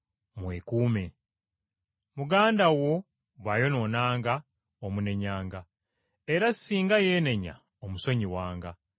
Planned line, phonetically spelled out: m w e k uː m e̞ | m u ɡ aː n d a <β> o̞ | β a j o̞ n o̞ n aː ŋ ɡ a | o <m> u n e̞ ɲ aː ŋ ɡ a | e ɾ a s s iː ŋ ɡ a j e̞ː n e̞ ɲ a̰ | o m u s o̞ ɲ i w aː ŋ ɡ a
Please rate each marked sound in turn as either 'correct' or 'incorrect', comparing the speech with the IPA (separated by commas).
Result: incorrect, correct